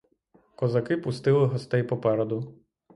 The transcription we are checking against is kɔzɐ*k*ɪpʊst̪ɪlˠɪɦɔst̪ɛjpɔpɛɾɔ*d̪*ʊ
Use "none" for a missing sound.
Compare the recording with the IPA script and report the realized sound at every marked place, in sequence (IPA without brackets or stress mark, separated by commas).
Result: k, d̪